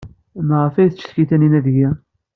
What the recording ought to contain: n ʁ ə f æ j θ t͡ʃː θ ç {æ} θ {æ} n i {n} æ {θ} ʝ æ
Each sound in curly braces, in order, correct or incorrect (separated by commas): incorrect, correct, correct, incorrect